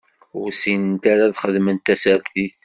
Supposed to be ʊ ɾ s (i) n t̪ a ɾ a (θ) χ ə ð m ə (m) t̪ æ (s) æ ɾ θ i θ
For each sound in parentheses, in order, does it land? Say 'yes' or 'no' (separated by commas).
yes, no, no, yes